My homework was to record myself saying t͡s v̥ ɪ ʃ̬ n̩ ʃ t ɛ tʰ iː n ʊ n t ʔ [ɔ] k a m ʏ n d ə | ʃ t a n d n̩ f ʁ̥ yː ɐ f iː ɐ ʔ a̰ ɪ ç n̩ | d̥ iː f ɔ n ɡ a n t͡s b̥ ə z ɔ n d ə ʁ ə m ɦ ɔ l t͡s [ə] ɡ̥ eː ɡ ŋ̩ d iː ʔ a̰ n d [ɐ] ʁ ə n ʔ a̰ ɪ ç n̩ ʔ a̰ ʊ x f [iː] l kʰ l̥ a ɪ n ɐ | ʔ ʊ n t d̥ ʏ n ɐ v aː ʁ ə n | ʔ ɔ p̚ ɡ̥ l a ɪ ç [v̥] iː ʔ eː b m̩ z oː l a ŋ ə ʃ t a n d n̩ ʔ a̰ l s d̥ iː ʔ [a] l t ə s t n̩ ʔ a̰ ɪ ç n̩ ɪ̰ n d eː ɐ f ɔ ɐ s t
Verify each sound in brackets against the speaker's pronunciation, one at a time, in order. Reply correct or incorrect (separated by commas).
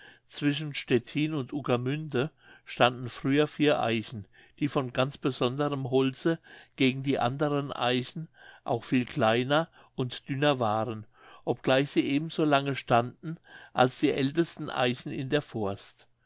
incorrect, correct, incorrect, correct, incorrect, incorrect